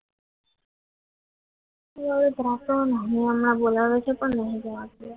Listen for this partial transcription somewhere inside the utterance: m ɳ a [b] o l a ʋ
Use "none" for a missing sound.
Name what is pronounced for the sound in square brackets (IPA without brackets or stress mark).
b